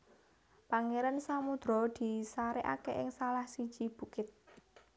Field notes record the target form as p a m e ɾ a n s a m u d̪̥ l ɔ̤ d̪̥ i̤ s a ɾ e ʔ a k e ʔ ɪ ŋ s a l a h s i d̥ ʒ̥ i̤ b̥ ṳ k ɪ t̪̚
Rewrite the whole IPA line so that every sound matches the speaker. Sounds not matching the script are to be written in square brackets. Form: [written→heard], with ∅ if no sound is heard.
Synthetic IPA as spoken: p a [m→ŋ] e ɾ a n s a m u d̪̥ [l→ɾ] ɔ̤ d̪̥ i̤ s a ɾ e ʔ a k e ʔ ɪ ŋ s a l a h s i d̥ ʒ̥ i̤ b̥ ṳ k ɪ t̪̚